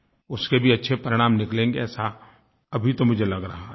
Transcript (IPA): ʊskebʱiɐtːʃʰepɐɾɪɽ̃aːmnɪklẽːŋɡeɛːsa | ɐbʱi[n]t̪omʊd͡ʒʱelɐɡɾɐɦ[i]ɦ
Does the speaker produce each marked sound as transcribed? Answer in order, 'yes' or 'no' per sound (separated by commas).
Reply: no, no